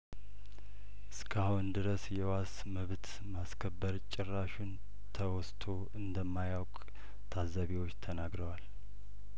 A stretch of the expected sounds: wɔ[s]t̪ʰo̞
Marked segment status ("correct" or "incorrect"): correct